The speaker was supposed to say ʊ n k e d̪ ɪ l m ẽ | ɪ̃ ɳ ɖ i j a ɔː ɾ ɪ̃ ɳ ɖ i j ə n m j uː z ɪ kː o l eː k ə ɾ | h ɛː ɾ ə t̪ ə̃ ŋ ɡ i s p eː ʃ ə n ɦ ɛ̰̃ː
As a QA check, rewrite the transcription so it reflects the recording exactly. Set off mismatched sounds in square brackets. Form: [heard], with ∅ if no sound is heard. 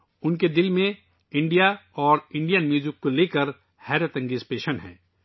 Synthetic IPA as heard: ʊ n k e d̪ ɪ l m ẽ | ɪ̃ ɳ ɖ i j a ɔː ɾ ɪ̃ ɳ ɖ i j ə n m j uː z ɪ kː o l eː k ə ɾ | h ɛː ɾ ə t̪ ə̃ ŋ ɡ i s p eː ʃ ə n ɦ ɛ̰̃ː